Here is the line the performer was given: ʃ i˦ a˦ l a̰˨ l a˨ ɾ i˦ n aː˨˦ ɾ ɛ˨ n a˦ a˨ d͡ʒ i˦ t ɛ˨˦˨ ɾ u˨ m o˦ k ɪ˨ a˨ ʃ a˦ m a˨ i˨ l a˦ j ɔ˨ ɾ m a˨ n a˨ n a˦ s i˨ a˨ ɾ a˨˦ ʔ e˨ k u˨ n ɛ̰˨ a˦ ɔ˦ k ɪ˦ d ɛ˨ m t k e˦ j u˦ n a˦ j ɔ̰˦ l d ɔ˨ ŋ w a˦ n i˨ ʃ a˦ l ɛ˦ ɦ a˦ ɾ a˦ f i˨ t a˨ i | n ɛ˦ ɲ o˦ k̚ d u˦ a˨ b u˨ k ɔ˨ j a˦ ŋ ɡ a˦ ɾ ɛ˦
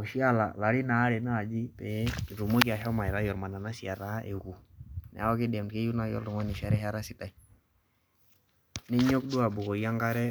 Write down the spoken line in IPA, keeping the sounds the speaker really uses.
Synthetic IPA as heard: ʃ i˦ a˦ l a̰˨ l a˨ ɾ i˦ n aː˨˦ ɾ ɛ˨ n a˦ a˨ d͡ʒ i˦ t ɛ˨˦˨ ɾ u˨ m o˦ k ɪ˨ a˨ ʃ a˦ m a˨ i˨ ɾ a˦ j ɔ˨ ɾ m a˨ n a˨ n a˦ s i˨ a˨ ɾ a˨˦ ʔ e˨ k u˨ n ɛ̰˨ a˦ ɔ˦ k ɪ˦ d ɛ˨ m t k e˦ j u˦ n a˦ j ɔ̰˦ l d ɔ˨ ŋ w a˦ n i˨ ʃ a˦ ɾ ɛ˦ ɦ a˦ ɾ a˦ s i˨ t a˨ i | n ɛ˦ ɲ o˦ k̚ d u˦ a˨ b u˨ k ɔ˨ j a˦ ŋ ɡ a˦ ɾ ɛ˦